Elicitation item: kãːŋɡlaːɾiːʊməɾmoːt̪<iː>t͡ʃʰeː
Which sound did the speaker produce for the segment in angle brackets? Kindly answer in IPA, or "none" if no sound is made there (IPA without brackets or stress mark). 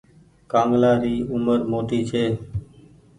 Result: iː